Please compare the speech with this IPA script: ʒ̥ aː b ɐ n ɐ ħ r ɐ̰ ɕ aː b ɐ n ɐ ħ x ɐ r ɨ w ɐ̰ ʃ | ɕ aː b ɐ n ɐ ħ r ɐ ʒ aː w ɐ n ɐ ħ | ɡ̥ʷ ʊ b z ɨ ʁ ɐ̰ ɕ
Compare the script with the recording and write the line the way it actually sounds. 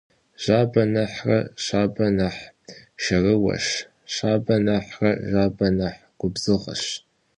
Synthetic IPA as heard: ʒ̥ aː b ɐ n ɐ ħ r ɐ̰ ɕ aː b ɐ n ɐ ħ ʃ ɐ r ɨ w ɐ̰ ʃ | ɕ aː b ɐ n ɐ ħ r ɐ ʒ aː b ɐ n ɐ ħ | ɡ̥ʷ ʊ b z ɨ ʁ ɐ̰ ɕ